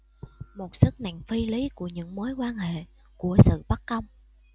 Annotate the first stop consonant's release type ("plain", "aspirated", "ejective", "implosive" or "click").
plain